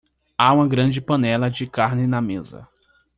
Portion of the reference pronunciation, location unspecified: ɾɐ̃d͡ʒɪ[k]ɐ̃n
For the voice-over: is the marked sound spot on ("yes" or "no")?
no